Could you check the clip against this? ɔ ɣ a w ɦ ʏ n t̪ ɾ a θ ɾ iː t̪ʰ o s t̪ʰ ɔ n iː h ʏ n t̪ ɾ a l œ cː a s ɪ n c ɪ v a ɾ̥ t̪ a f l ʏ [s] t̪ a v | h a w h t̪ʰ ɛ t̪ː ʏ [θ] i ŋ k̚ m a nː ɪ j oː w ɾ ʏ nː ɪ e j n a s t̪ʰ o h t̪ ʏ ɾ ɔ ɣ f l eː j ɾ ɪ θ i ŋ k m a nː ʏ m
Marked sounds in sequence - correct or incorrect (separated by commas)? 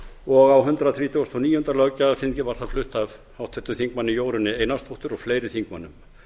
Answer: incorrect, correct